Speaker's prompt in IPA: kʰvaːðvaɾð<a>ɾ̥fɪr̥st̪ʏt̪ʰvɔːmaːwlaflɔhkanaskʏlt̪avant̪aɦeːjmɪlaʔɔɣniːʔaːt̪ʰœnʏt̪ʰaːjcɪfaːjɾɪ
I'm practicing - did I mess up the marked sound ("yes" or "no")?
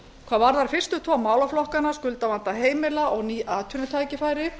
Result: no